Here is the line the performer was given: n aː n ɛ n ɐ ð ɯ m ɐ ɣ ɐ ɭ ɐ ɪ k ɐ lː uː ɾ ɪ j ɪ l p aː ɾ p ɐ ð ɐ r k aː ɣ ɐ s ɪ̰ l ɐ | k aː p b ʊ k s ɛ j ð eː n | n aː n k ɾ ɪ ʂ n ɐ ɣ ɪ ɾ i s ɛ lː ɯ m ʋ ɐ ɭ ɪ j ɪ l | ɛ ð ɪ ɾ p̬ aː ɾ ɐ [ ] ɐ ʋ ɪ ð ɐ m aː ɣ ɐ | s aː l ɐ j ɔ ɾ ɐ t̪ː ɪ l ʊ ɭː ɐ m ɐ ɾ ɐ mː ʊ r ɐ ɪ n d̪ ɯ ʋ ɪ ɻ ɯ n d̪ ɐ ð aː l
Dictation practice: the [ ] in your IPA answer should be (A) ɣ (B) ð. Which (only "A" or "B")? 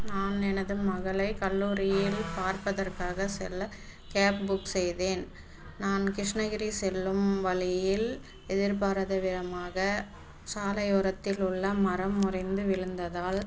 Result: B